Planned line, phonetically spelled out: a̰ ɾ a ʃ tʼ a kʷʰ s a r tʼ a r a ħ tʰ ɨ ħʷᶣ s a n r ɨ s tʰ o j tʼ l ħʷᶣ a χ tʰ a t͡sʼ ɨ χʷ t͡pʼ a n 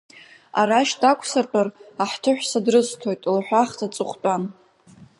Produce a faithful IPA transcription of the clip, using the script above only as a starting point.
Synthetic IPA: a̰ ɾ a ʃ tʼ a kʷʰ s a r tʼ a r a ħ tʰ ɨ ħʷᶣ s a d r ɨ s tʰ o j tʼ l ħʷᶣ a χ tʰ a t͡sʼ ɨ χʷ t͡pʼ a n